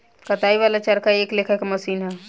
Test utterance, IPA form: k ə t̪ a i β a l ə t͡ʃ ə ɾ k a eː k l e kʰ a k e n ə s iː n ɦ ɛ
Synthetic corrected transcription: k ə t̪ a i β a l a t͡ʃ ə ɾ k a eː k l e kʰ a k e m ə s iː n ɦ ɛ